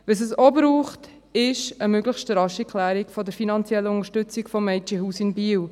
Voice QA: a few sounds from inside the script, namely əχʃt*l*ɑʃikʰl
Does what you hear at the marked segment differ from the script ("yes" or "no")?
yes